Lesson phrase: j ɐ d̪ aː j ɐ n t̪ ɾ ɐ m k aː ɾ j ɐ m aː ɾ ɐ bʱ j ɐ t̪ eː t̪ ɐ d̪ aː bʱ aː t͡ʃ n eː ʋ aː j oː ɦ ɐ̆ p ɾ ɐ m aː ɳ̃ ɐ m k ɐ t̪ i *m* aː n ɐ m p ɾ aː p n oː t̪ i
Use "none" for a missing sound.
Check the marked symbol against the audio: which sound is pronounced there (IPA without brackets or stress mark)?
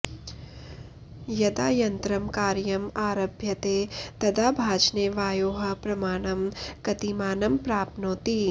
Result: m